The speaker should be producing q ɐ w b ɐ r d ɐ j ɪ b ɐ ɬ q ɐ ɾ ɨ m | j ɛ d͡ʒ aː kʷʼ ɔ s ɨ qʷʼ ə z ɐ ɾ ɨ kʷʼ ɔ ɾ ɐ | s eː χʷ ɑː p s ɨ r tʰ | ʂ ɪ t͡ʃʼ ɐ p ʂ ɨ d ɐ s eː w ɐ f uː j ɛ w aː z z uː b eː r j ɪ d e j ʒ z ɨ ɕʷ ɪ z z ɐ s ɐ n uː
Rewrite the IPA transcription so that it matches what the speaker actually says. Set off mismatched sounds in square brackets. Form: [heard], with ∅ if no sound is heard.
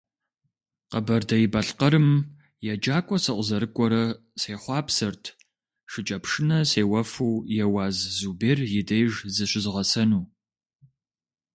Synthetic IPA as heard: q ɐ [∅] b ɐ r d ɐ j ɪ b ɐ ɬ q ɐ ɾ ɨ m | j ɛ d͡ʒ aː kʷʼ ɔ s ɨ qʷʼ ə z ɐ ɾ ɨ kʷʼ ɔ ɾ ɐ | s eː χʷ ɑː p s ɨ r tʰ | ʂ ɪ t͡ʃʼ ɐ p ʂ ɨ [n] ɐ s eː w ɐ f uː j ɛ w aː z z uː b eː r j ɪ d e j ʒ z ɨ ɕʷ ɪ z [ʁ] ɐ s ɐ n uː